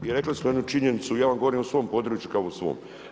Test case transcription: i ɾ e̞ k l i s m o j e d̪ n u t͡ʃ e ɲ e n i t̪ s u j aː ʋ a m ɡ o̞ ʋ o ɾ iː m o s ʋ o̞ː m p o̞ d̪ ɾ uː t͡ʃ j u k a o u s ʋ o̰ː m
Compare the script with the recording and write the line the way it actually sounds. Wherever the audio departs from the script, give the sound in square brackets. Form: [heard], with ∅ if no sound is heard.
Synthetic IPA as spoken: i ɾ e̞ k l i s m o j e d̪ n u t͡ʃ [i] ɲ e n i t̪ s u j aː ʋ a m ɡ o̞ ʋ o ɾ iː m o s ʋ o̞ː m p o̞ d̪ ɾ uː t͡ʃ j u k a o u s ʋ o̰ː m